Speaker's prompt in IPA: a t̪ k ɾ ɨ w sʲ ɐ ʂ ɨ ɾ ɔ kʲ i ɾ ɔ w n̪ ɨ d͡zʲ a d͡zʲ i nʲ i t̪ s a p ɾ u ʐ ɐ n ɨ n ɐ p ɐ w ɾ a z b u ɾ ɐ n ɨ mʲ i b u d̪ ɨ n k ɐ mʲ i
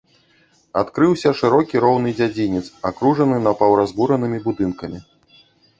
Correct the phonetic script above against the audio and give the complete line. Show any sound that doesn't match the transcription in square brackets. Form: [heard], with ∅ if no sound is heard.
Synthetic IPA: a t̪ k ɾ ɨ w sʲ ɐ ʂ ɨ ɾ ɔ kʲ i ɾ ɔ w n̪ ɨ d͡zʲ a d͡zʲ i nʲ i t̪ s a [k] ɾ u ʐ ɐ n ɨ n ɐ p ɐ w ɾ a z b u ɾ ɐ n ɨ mʲ i b u d̪ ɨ n k ɐ mʲ i

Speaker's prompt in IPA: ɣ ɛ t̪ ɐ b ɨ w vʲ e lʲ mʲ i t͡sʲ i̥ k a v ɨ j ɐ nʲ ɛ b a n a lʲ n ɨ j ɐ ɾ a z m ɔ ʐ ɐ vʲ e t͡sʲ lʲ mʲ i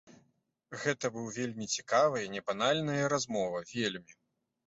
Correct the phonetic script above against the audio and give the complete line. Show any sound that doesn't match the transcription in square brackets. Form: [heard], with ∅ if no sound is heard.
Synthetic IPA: ɣ ɛ t̪ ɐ b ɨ w vʲ e lʲ mʲ i t͡sʲ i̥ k a v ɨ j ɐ nʲ ɛ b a n a lʲ n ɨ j ɐ ɾ a z m ɔ [v] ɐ vʲ e [∅] lʲ mʲ i

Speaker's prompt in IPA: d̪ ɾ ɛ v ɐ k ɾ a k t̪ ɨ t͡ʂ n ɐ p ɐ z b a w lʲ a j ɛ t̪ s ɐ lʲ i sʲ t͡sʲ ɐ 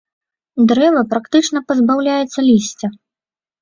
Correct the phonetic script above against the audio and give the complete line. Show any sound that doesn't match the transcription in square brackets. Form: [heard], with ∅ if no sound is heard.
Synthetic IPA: d̪ ɾ ɛ v ɐ [p] ɾ a k t̪ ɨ t͡ʂ n ɐ p ɐ z b a w lʲ a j ɛ t̪ [sː] ɐ lʲ i sʲ t͡sʲ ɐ

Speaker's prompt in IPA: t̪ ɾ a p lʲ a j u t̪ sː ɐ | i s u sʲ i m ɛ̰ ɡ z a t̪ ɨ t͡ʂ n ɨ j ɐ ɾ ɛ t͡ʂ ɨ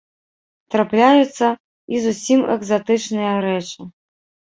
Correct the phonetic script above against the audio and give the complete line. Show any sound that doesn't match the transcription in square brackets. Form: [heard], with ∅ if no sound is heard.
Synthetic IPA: t̪ ɾ a p lʲ a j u t̪ sː ɐ | i [z] u sʲ i m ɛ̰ ɡ z a t̪ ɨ t͡ʂ n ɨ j ɐ ɾ ɛ t͡ʂ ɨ

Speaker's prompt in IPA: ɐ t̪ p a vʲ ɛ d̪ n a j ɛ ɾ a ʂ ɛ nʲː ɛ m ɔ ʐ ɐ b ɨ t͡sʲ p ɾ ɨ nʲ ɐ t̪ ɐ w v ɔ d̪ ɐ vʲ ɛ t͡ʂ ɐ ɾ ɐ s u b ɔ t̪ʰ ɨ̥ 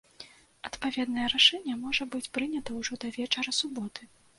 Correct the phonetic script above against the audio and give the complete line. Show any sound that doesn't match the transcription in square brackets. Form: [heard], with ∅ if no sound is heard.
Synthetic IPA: ɐ t̪ p a vʲ ɛ d̪ n [ɐ] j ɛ ɾ a ʂ ɛ nʲː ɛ m ɔ ʐ ɐ b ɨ t͡sʲ p ɾ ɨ nʲ ɐ t̪ ɐ w [ʐ] ɔ d̪ ɐ vʲ ɛ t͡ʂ ɐ ɾ ɐ s u b ɔ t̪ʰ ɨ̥

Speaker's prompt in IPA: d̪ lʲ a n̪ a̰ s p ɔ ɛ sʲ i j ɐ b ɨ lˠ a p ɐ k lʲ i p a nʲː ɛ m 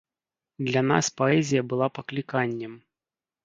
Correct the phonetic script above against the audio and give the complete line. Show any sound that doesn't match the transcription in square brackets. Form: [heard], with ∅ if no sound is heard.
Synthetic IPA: d̪ lʲ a n̪ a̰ s p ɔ ɛ [zʲ] i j ɐ b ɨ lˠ a p ɐ k lʲ i [k] a nʲː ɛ m

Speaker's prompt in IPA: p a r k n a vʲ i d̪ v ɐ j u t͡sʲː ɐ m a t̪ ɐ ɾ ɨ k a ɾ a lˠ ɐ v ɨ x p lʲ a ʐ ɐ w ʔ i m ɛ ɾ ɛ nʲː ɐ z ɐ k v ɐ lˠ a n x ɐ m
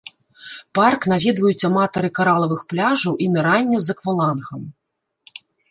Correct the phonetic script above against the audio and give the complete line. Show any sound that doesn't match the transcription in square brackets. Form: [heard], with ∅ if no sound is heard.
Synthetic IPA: p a r k n a vʲ i d̪ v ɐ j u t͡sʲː ɐ m a t̪ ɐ ɾ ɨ k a ɾ a lˠ ɐ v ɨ x p lʲ a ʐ ɐ w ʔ i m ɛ ɾ [a] nʲː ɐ z ɐ k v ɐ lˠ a n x ɐ m

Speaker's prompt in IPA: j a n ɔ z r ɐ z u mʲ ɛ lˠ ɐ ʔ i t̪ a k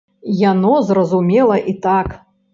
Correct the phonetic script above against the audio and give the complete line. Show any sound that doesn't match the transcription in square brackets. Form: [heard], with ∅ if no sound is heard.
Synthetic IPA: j a n ɔ z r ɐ z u mʲ ɛ lˠ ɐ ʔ i t̪ a k

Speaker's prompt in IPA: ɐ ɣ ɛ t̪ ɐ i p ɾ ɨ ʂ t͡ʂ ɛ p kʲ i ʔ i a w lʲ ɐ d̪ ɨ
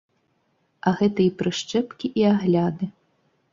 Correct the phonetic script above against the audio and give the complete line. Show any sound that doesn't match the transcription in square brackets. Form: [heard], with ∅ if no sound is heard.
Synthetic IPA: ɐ ɣ ɛ t̪ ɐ i p ɾ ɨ ʂ t͡ʂ ɛ p kʲ i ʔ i a [ɣ] lʲ [a] d̪ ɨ

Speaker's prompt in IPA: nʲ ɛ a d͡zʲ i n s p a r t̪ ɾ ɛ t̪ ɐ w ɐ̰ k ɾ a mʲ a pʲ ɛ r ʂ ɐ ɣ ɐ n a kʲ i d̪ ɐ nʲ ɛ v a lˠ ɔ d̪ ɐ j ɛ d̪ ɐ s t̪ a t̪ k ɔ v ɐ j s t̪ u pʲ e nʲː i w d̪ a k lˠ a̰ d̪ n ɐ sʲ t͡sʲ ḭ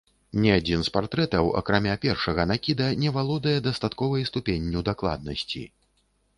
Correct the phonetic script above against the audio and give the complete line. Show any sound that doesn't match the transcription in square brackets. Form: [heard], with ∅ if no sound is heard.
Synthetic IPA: nʲ ɛ a d͡zʲ i n s p a r t̪ ɾ ɛ t̪ ɐ w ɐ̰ k ɾ a mʲ a pʲ ɛ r ʂ ɐ ɣ ɐ n a kʲ i d̪ ɐ nʲ ɛ v a lˠ ɔ d̪ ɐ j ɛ d̪ ɐ s t̪ a t̪ k ɔ v ɐ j s t̪ u pʲ e nʲː i w d̪ a k lˠ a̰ d̪ n ɐ sʲ t͡sʲ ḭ

